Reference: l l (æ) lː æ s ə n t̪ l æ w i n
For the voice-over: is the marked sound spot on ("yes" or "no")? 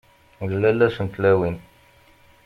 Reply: yes